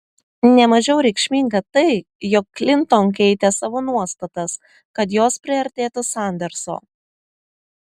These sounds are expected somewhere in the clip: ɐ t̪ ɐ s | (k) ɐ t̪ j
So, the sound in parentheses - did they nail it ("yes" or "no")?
yes